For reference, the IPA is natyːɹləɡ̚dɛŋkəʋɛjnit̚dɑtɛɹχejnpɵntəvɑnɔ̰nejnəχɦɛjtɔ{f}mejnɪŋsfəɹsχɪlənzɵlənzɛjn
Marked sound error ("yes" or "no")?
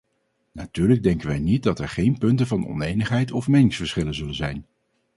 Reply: no